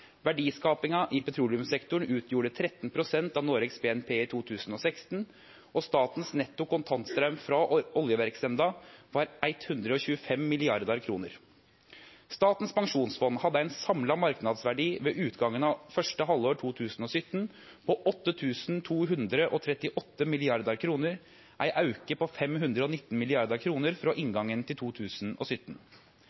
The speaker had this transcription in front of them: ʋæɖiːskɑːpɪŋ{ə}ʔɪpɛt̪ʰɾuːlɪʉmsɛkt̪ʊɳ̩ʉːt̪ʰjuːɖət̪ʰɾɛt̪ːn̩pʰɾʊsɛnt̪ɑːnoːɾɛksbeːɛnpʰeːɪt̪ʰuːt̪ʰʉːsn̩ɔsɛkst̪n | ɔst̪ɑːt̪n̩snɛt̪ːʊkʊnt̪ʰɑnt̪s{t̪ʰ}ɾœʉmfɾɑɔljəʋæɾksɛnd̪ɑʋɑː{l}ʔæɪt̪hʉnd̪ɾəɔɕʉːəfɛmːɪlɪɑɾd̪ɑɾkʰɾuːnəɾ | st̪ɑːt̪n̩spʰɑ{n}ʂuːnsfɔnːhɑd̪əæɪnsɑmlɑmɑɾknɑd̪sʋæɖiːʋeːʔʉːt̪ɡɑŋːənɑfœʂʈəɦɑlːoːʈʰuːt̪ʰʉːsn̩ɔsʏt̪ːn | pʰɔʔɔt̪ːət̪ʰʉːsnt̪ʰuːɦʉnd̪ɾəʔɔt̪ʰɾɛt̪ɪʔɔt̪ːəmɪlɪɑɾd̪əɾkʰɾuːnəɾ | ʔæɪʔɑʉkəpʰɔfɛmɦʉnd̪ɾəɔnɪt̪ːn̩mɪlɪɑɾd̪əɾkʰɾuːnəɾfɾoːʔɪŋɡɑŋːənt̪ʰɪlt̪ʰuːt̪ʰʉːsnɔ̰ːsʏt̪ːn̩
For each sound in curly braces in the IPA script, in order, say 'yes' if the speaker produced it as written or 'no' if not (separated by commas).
no, no, no, no